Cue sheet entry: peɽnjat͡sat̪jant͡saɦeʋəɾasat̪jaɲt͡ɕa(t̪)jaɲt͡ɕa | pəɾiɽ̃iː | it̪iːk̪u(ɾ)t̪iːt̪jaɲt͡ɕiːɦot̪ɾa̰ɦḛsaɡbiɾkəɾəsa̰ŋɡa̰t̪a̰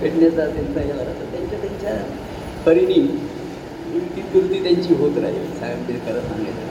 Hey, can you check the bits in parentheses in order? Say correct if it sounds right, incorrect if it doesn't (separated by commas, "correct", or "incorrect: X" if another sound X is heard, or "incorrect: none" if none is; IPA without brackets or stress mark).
correct, correct